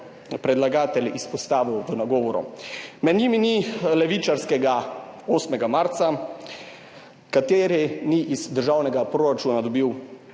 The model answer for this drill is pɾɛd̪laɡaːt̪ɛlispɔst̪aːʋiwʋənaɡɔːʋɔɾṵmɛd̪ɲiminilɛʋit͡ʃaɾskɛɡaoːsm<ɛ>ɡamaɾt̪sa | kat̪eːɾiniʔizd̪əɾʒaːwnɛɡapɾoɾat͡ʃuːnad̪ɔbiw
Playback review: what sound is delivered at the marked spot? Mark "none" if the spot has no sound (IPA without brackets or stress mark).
ɛ